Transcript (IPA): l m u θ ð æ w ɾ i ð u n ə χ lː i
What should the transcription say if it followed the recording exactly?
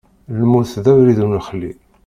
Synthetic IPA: l m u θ ð æ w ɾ i ð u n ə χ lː i